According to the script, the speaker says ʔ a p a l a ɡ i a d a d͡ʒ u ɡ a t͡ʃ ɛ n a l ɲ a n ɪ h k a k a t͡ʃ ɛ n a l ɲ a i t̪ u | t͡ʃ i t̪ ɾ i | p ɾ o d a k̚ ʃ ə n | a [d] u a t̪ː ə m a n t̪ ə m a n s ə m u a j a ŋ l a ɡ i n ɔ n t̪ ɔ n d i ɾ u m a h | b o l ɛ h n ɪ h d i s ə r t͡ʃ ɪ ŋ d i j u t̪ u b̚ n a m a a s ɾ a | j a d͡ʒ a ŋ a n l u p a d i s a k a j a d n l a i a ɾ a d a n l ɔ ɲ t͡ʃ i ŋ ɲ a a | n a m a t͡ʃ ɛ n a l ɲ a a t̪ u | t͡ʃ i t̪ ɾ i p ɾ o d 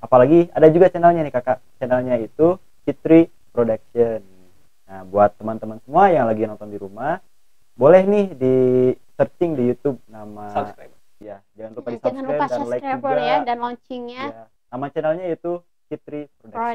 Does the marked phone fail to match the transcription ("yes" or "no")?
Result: yes